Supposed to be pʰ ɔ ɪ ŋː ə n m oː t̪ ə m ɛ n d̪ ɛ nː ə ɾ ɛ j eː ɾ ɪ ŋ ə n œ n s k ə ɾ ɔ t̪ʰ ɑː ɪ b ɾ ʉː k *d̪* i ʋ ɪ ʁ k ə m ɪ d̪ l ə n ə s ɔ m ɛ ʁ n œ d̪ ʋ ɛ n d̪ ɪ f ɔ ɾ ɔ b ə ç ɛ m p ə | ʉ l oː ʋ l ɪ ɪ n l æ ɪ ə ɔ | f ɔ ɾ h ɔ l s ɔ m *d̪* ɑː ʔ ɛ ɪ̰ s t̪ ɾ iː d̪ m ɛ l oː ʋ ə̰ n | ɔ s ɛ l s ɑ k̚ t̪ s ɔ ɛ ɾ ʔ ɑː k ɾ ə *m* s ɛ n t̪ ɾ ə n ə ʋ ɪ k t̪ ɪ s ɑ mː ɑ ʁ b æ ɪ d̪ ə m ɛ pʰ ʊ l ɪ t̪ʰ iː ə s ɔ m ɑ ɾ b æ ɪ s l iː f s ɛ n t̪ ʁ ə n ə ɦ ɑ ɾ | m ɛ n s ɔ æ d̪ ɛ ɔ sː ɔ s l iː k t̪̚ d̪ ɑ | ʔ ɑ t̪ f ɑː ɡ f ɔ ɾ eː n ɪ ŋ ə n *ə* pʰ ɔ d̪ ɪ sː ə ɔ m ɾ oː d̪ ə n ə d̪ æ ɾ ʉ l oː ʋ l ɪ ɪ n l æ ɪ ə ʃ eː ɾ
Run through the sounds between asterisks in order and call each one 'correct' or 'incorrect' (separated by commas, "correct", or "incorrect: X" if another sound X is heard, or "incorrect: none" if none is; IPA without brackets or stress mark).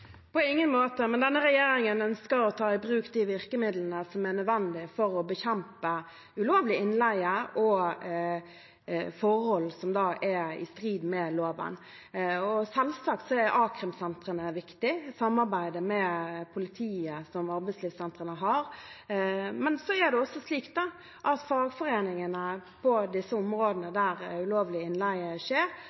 correct, correct, correct, correct